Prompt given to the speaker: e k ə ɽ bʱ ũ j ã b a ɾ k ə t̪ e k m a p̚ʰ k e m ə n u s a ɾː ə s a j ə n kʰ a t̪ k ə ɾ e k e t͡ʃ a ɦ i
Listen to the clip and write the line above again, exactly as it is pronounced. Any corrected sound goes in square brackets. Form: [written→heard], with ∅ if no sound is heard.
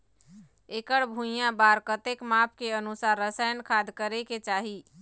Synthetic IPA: e k ə ɽ bʱ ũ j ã b a ɾ k ə t̪ e k m a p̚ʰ k e [m→∅] ə n u s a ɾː ə s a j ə n kʰ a [t̪→d̪] k ə ɾ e k e t͡ʃ a ɦ i